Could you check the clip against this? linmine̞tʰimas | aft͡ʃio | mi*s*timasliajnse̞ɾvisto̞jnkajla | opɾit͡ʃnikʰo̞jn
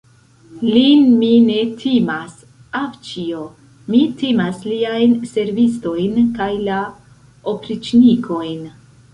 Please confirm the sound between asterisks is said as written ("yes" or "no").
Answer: no